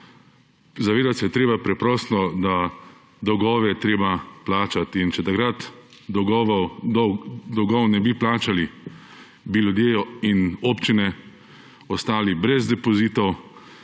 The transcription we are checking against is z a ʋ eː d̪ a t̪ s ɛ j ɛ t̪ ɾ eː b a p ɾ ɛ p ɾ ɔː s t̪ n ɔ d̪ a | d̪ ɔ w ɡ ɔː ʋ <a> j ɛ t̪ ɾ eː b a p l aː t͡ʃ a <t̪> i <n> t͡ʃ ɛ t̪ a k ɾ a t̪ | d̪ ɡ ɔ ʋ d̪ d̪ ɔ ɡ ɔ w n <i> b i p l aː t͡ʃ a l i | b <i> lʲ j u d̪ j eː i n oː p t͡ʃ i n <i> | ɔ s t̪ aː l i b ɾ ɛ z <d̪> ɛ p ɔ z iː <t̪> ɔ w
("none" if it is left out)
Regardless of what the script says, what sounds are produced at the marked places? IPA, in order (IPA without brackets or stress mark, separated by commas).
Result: ɛ, t̪, n, ɛ, i, ɛ, d̪, t̪